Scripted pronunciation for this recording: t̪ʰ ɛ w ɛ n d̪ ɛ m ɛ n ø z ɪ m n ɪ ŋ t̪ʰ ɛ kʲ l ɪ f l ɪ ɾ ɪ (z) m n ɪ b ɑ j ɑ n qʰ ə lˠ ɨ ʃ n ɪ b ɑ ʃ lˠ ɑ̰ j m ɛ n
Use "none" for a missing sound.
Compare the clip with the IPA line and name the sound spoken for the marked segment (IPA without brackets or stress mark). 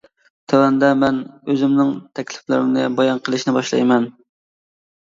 none